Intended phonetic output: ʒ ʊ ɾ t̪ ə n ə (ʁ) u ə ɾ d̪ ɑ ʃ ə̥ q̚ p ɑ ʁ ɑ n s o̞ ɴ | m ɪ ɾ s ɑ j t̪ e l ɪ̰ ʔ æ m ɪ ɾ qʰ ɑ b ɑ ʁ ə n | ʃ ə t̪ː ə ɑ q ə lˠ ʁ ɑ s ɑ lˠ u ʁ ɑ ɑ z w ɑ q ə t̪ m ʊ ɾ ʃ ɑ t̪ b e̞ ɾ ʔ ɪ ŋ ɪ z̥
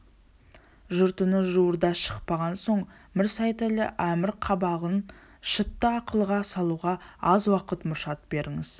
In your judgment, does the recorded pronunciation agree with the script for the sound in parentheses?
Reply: no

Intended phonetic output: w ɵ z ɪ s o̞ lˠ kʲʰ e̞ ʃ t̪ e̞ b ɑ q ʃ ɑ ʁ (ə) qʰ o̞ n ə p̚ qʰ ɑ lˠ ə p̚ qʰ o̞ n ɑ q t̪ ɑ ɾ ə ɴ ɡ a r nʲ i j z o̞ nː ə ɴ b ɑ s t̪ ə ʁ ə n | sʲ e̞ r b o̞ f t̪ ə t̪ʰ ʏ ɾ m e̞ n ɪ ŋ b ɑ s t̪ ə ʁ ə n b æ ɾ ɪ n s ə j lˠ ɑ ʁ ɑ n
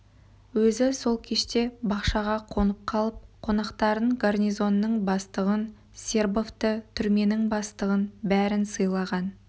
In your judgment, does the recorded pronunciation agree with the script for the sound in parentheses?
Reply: no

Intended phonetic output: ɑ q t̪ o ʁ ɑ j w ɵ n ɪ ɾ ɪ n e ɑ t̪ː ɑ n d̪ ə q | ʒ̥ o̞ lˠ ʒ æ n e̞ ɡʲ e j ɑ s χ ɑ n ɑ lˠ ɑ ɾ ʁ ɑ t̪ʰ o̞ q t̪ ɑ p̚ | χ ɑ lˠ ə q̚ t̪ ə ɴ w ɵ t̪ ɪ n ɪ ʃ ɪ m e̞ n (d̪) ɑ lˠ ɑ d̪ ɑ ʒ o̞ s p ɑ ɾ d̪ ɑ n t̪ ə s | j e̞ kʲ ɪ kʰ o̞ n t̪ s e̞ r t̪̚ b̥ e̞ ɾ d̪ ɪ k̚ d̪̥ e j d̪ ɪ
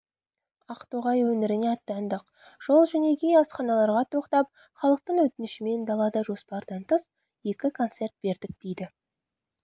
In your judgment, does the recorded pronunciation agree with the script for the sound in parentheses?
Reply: yes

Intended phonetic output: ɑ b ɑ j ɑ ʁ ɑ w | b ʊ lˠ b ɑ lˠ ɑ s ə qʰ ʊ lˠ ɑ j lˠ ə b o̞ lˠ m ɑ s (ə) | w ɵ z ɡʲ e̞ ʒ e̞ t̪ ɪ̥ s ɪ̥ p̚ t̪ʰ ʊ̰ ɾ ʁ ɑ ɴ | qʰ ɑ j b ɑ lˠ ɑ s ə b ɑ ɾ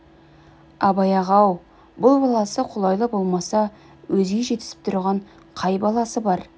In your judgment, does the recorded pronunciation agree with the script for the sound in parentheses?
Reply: no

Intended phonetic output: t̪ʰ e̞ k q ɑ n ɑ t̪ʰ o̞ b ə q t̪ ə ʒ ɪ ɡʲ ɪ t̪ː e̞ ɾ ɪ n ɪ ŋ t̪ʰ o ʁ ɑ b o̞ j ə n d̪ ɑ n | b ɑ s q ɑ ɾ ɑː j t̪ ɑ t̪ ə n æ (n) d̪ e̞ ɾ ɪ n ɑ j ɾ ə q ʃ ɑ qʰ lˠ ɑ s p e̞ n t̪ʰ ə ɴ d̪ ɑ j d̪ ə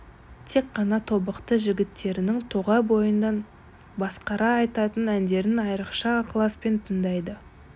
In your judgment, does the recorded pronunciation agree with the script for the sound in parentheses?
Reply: yes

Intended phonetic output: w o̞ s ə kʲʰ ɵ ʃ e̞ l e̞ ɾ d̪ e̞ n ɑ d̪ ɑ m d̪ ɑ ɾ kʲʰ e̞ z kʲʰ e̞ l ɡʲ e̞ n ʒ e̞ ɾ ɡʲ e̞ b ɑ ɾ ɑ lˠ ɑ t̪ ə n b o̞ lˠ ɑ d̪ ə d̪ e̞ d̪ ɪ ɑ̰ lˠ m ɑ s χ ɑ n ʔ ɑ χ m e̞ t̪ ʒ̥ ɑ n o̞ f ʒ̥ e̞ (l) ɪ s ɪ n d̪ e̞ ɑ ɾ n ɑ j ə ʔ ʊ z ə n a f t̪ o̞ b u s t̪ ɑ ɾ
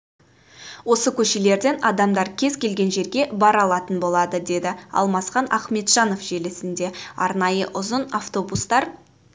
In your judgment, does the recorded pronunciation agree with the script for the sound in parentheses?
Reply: yes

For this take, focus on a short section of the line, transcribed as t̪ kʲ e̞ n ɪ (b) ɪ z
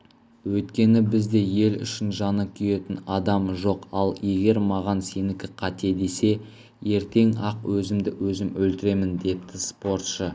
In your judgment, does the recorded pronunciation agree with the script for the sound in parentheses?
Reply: yes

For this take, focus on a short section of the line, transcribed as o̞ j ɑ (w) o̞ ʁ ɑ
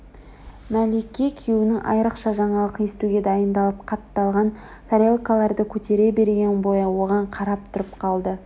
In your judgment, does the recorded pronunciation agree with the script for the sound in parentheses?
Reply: yes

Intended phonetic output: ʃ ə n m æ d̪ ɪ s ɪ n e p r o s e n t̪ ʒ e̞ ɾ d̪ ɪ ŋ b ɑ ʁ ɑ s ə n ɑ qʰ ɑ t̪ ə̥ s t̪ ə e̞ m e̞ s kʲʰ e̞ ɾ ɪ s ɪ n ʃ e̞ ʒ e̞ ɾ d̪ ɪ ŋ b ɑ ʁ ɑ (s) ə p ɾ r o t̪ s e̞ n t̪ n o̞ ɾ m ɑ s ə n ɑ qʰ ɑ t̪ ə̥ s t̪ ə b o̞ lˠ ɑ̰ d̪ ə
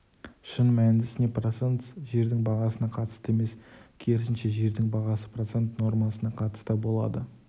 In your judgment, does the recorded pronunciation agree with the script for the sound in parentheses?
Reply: yes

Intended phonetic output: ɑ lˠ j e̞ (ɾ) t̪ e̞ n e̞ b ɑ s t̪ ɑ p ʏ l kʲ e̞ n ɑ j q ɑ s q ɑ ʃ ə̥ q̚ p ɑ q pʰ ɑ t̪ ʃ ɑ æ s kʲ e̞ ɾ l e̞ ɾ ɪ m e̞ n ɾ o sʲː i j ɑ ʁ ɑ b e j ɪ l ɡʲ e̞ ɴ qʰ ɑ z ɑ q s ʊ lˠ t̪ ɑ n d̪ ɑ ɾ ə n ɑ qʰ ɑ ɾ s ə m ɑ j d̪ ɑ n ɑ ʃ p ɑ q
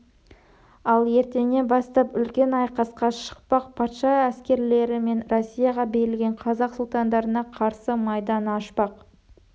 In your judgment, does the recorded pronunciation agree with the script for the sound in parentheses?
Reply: yes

